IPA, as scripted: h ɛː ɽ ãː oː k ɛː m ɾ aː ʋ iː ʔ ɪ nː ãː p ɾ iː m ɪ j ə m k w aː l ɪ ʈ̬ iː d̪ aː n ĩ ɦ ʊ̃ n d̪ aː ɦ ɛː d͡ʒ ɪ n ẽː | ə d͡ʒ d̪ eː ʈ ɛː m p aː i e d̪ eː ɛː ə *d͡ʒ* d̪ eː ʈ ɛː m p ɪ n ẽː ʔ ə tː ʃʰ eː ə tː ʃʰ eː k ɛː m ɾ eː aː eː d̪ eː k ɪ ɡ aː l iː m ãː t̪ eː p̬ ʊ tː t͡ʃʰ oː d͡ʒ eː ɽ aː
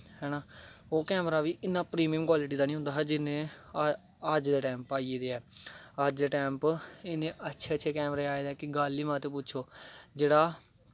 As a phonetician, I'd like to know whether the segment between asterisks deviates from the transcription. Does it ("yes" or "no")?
no